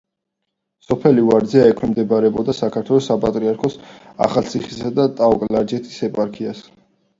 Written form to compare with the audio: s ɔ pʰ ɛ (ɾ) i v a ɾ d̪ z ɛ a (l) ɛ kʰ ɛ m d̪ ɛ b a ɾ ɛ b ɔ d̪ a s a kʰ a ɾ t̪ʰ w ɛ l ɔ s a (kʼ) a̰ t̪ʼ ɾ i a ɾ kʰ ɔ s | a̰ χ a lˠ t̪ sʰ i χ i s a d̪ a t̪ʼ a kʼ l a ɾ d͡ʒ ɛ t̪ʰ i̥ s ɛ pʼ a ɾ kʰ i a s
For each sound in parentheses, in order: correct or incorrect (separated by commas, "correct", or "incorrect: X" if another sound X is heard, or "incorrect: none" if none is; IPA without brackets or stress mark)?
incorrect: l, incorrect: none, incorrect: pʼ